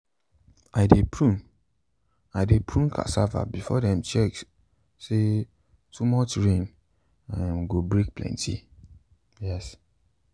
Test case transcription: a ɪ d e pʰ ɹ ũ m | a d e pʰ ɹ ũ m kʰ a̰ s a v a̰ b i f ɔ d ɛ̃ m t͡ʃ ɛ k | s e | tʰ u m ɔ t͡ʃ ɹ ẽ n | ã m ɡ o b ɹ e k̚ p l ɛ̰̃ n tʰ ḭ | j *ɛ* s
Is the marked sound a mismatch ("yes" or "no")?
no